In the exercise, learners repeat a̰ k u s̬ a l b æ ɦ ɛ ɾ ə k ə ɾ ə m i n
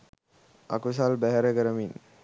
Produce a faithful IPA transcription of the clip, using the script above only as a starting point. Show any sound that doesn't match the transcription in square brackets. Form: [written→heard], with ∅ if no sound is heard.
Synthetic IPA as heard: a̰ k u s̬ a l b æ ɦ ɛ ɾ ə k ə ɾ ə m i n